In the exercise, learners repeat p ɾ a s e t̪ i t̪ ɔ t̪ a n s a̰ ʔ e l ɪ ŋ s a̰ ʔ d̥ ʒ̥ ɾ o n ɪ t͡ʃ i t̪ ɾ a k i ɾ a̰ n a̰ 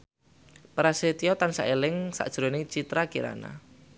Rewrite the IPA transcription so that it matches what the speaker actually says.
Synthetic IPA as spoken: p ɾ a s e t̪ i ɔ t̪ a n s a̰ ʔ e l ɪ ŋ s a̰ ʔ d̥ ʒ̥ ɾ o n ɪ t͡ʃ i t̪ ɾ a k i ɾ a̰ n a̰